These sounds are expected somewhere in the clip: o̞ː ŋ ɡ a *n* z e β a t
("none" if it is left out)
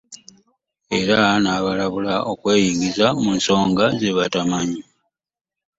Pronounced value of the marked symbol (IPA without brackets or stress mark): none